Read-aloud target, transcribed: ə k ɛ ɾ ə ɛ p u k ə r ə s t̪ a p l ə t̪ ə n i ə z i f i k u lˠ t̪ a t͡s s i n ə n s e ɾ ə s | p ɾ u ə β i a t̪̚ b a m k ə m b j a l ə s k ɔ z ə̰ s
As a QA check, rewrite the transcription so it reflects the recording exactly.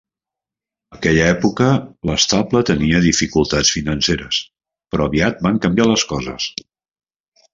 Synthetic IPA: ə k ɛ ʎ ə ɛ p u k ə l ə s t̪ a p l ə t̪ ə n i ə ð i f i k u lˠ t̪ a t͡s f i n ə n s e ɾ ə s | p ɾ ɔ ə β i a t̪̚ b a ŋ k ə m b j a l ə s k ɔ z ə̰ s